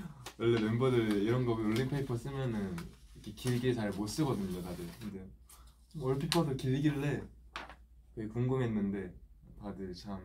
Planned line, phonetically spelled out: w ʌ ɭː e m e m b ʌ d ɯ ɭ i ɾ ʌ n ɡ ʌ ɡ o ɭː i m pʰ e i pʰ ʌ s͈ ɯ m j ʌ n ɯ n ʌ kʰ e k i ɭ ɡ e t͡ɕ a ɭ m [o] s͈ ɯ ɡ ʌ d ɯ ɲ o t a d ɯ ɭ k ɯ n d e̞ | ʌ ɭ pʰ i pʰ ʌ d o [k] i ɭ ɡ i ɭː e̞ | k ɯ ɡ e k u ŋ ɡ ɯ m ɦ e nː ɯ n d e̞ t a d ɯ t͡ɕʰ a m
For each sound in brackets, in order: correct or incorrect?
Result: correct, correct

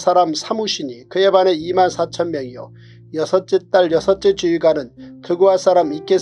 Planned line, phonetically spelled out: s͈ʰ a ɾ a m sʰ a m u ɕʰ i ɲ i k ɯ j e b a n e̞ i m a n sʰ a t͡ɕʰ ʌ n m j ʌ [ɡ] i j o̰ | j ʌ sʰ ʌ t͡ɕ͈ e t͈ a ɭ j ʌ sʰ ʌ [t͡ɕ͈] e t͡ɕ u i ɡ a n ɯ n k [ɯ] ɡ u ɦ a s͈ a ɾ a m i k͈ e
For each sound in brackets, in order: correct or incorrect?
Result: incorrect: ŋ, correct, correct

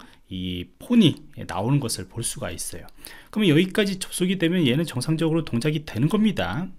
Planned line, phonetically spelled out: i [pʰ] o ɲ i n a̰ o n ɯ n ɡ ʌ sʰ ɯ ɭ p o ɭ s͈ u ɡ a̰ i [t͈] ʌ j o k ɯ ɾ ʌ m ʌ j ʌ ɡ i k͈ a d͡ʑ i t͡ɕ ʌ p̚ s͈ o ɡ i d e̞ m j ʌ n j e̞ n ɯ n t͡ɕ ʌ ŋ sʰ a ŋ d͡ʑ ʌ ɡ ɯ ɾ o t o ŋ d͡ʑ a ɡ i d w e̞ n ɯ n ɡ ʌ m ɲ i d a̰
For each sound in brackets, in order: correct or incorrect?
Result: correct, incorrect: s͈

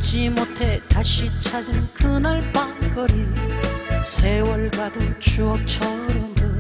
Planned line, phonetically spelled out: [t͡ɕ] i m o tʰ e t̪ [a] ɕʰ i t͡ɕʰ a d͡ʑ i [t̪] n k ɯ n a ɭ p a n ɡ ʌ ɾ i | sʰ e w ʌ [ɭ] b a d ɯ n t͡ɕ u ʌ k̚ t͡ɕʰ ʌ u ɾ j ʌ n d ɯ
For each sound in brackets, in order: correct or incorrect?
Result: correct, correct, incorrect: none, correct

